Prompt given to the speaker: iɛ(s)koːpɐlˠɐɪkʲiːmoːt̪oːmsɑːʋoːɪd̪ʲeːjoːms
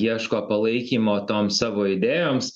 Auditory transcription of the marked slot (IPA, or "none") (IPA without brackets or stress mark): ʃ